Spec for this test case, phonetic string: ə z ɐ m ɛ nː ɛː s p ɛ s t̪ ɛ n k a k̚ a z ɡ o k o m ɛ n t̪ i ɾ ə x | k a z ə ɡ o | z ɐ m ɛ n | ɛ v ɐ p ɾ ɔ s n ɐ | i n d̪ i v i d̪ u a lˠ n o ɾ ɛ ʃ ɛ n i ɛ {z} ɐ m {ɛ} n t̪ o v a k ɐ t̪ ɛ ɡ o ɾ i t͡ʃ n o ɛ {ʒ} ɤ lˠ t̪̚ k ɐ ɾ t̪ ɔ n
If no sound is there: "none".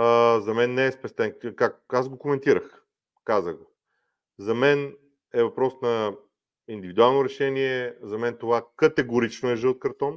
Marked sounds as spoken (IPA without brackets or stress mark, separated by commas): z, ɛ, ʒ